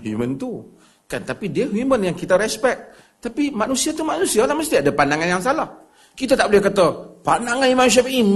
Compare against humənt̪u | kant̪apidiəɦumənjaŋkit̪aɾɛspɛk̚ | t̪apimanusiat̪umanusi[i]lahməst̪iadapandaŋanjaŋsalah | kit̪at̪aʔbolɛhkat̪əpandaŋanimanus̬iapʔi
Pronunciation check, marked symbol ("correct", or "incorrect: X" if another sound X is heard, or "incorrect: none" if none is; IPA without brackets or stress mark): incorrect: a